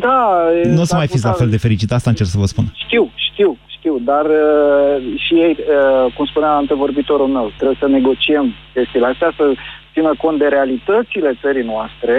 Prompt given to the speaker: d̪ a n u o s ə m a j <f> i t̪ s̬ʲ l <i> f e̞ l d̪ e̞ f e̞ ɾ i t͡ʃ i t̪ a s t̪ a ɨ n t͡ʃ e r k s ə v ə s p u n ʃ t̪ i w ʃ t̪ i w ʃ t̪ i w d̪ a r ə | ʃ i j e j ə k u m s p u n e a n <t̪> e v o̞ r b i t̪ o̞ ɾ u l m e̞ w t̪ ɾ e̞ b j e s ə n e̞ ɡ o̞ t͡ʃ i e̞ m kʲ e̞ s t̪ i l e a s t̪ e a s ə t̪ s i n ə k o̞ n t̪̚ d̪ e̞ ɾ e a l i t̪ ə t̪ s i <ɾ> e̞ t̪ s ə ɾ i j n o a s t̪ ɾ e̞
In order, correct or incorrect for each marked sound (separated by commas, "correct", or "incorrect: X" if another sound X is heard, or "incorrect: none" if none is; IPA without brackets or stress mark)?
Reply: correct, incorrect: a, correct, incorrect: l